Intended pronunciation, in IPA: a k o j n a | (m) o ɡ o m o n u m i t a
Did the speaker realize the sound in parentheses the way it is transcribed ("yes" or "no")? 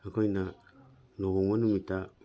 no